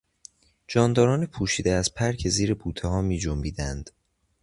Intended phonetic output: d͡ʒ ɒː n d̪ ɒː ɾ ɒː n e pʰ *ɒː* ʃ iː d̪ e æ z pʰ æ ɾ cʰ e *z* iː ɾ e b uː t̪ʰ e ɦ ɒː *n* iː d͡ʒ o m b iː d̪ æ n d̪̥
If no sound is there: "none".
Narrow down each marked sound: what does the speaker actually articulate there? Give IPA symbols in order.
uː, z, m

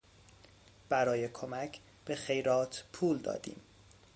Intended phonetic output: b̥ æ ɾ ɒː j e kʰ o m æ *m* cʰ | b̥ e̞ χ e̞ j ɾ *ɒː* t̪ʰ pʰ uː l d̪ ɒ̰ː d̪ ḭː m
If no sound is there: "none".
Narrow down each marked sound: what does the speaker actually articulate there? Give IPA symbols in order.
none, ɒː

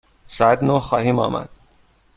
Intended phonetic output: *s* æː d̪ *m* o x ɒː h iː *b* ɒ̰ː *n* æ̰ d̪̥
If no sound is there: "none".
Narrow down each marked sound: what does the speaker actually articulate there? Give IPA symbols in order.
s, n, m, m

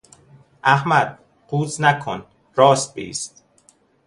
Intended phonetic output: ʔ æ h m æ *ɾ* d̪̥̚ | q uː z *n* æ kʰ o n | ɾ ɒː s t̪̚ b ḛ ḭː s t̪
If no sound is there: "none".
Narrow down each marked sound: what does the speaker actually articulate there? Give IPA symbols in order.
none, n

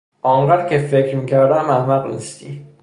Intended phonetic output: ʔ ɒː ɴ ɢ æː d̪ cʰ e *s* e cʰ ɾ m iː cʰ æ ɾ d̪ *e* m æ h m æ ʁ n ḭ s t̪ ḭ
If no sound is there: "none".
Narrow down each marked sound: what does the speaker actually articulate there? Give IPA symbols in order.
f, æ

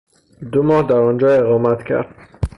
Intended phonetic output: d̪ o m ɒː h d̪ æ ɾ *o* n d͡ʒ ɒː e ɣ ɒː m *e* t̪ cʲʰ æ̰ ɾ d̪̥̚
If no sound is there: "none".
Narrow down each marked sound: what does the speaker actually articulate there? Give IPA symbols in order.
ɒ, æ

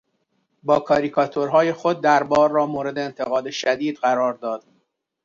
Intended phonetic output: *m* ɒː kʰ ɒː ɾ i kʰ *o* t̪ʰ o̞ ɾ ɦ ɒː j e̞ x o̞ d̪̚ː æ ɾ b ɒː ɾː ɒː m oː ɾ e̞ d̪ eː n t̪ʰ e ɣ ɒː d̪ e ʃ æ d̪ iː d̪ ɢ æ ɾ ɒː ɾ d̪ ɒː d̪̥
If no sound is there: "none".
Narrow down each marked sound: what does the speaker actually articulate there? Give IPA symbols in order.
b, ɒ

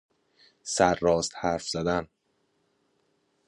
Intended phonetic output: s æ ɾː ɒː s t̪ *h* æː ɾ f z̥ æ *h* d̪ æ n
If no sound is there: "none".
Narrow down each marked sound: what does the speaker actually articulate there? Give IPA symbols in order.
h, none

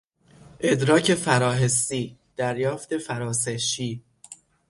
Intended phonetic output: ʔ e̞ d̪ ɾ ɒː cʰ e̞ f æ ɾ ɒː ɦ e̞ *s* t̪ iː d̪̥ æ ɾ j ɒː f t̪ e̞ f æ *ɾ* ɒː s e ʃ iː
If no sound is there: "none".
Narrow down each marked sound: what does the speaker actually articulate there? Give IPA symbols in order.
s, ɾ

